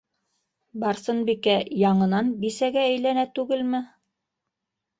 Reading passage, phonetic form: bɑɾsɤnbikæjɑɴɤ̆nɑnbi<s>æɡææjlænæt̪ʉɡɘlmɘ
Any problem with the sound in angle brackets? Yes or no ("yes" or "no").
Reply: no